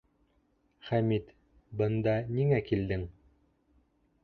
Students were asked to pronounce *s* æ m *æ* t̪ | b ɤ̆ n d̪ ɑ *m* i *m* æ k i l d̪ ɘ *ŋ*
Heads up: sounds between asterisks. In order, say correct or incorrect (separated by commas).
incorrect, incorrect, incorrect, incorrect, correct